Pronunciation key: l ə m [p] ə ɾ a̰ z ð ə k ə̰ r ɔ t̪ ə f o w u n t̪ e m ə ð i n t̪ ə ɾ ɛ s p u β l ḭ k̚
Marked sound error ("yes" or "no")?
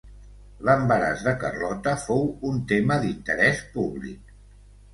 yes